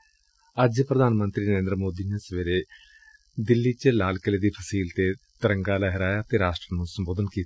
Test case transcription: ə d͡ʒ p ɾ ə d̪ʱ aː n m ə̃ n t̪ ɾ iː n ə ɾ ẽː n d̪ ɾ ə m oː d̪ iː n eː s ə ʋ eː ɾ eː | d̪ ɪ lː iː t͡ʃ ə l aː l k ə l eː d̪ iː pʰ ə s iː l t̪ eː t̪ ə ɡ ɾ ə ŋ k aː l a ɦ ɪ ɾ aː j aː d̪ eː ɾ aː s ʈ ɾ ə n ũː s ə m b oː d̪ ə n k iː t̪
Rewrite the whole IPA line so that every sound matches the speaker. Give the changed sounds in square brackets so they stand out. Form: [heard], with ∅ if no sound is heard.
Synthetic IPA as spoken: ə d͡ʒ p ɾ ə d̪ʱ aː n m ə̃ n t̪ ɾ iː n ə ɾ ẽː n d̪ ɾ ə m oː d̪ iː n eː s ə ʋ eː ɾ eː | d̪ ɪ lː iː t͡ʃ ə l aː l k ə l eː d̪ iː pʰ ə s iː l t̪ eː t̪ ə [∅] ɾ ə ŋ [ɡ] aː l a ɦ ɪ ɾ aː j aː [t̪] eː ɾ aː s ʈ ɾ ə n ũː s ə m b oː d̪ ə n k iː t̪